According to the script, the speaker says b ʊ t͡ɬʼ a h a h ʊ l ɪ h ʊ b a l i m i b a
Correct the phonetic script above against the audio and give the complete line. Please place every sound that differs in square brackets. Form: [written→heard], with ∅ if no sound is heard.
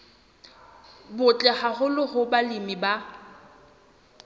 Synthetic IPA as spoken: b ʊ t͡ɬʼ [a→ɛ] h a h ʊ l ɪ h ʊ b a l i m i b a